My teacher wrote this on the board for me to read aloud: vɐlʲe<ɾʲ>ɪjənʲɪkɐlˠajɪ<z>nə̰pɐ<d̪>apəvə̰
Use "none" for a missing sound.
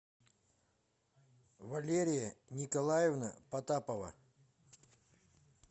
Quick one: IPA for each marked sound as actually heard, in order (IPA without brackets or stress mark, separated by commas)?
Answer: ɾʲ, v, t̪